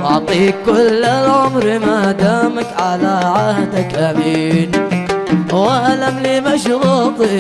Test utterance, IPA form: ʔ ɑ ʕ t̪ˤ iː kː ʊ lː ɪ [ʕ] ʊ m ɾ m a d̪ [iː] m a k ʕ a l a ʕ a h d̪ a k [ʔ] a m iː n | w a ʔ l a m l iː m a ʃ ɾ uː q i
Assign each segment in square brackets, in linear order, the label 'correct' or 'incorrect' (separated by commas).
correct, incorrect, correct